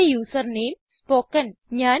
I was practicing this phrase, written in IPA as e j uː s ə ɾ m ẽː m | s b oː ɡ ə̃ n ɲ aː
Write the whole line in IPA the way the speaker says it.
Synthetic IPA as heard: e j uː s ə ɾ n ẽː m | s p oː k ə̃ n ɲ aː